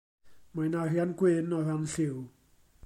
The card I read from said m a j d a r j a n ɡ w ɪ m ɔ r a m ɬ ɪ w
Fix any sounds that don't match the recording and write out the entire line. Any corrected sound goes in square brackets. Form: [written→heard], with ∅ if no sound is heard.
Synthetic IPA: m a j [d→n] a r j a n ɡ w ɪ [m→n] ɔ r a [m→n] ɬ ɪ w